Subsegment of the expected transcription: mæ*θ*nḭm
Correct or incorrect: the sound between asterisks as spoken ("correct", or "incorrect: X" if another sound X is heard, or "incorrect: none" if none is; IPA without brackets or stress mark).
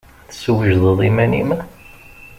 incorrect: none